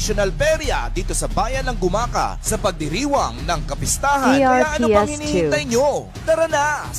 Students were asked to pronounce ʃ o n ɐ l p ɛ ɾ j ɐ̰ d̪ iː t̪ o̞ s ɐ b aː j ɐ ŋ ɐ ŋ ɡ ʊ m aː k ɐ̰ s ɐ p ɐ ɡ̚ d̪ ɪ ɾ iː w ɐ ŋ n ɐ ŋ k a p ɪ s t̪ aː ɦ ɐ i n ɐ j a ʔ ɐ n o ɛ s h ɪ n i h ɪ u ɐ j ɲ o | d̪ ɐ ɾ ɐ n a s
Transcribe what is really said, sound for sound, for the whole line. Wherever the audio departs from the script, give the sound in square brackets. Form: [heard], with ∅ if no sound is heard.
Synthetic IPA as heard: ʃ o n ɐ l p ɛ ɾ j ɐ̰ d̪ iː t̪ o̞ s ɐ b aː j ɐ [n] ɐ ŋ ɡ ʊ m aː k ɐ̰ s ɐ p ɐ ɡ̚ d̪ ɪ ɾ iː w ɐ ŋ n ɐ ŋ k [ɐ] p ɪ s t̪ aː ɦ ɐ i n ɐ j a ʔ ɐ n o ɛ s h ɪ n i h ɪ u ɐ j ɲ o | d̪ ɐ ɾ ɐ n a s